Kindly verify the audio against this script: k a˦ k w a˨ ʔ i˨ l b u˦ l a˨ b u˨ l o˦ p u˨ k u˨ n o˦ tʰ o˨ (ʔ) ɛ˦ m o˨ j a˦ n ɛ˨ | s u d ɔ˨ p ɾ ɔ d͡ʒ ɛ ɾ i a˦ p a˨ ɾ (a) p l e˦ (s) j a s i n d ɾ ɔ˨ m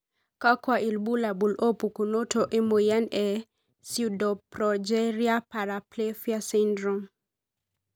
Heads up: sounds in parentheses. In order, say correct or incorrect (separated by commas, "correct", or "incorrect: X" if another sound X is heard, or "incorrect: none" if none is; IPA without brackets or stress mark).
correct, correct, incorrect: f